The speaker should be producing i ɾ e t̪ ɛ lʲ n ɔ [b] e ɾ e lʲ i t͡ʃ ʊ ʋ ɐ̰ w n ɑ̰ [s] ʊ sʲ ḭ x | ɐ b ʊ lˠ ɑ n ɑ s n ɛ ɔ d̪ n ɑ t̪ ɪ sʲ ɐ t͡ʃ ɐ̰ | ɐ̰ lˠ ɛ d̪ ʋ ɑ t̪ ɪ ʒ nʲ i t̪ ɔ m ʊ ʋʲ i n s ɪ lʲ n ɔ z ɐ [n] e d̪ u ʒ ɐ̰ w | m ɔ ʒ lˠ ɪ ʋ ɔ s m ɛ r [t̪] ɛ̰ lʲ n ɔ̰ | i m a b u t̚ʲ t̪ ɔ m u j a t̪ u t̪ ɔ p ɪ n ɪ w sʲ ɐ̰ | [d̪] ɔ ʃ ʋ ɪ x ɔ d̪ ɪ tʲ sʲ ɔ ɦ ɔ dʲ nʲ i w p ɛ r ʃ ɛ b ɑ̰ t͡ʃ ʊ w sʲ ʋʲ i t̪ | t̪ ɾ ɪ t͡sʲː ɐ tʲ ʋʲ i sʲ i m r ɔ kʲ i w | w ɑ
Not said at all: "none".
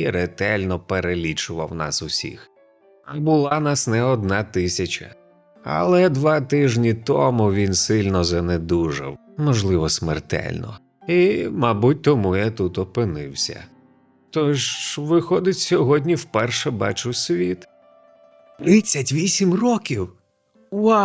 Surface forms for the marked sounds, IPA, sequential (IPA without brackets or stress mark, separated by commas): p, s, n, t̪, t̪